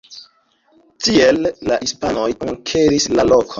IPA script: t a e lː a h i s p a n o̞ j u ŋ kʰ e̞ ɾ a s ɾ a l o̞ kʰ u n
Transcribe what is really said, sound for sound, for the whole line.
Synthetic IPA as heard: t i e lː a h i s p a n o̞ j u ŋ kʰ e̞ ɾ i s l a l o̞ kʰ o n